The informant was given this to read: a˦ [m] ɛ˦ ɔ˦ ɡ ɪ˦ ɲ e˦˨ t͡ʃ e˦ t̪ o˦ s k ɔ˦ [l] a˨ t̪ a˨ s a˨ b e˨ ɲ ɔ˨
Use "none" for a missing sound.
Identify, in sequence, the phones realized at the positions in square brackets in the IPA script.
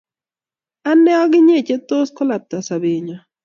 n, l

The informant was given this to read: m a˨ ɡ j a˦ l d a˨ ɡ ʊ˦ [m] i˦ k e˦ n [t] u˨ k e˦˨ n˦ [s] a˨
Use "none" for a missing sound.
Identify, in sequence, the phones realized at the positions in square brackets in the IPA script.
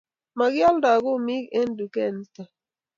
m, d, t

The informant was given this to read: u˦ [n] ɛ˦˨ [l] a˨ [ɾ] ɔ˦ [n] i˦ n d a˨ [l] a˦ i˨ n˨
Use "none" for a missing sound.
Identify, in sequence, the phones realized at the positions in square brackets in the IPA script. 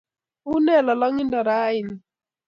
n, l, l, ŋ, ɾ

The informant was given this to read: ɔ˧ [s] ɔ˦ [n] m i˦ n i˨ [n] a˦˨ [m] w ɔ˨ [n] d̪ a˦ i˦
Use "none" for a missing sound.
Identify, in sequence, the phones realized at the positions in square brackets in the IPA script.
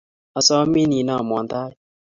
s, none, n, m, n

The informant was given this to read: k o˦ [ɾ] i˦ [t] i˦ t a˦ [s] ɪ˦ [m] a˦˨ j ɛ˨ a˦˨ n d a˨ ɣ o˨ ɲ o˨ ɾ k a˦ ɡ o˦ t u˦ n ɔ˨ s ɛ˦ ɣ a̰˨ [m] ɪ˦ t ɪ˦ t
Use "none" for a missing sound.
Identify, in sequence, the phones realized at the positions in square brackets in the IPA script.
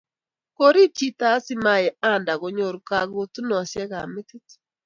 ɾ, t͡ʃ, s, m, m

